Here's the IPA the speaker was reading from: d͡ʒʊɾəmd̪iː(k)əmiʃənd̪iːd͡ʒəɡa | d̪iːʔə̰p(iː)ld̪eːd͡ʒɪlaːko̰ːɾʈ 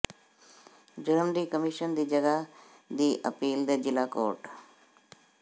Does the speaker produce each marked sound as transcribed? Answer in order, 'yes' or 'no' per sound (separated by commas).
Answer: yes, yes